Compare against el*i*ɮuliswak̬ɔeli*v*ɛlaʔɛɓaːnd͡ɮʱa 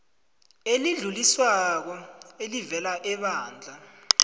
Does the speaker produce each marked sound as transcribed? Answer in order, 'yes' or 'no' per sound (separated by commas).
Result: yes, yes